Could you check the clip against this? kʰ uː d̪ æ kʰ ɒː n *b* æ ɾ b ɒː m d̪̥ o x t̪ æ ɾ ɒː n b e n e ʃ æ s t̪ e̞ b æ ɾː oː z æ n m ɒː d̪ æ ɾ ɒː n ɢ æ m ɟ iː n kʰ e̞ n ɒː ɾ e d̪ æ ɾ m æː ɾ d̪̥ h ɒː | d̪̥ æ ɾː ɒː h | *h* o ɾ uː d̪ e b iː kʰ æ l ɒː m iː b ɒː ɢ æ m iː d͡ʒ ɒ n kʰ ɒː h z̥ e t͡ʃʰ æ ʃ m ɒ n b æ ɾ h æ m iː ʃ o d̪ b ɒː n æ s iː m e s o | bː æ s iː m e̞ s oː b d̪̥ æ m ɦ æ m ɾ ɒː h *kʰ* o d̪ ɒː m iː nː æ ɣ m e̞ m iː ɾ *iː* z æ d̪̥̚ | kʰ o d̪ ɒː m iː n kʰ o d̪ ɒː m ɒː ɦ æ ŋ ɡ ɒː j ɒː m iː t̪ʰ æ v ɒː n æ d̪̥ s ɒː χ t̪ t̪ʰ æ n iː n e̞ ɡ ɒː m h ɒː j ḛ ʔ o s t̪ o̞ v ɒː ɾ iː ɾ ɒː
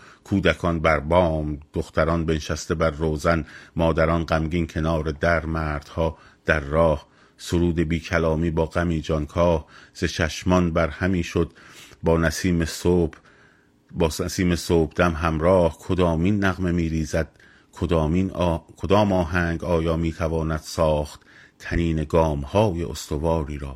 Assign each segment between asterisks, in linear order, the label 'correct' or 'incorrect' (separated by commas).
correct, incorrect, correct, correct